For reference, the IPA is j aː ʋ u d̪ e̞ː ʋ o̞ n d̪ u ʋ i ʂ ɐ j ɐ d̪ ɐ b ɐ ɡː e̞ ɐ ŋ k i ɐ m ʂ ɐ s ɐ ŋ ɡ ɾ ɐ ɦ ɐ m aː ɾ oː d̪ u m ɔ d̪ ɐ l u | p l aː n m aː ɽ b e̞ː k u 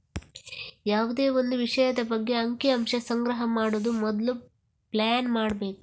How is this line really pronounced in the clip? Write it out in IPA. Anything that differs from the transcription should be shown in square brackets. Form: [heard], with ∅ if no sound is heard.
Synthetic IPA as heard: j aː ʋ u d̪ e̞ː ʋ o̞ n d̪ u ʋ i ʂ ɐ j ɐ d̪ ɐ b ɐ ɡː e̞ ɐ ŋ k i ɐ m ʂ ɐ s ɐ ŋ ɡ ɾ ɐ ɦ ɐ m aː [ɽ] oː d̪ u m ɔ d̪ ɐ l u | p l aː n m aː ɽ b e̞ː k u